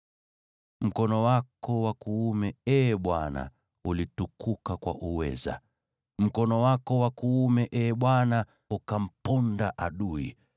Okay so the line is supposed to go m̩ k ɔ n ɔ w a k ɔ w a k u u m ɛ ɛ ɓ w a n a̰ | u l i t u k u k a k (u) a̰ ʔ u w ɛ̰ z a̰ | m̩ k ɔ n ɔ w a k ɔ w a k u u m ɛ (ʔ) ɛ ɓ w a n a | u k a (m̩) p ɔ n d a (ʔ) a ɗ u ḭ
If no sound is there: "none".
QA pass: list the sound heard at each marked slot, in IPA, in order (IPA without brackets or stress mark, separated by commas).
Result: w, ʔ, m̩, ʔ